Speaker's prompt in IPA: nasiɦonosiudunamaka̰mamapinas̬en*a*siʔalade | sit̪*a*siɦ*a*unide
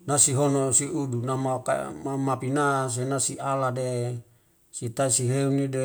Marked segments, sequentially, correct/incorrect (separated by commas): correct, correct, incorrect